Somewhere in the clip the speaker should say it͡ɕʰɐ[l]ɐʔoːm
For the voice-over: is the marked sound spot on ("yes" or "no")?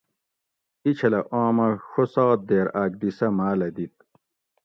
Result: yes